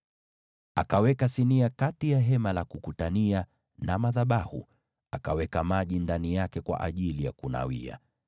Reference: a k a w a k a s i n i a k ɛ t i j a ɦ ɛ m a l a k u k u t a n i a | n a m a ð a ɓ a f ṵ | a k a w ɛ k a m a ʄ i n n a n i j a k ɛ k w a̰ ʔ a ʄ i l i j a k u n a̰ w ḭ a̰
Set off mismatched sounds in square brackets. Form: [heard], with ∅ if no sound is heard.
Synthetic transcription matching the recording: a k a w [ɛ] k a s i n i a k [a] t i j a ɦ ɛ m a l a k u k u t a n i a | n a m a ð a ɓ a [h] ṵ | a k a w ɛ k a m a ʄ i n [d] a n i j a k ɛ k w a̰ ʔ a ʄ i l i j a k u n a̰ w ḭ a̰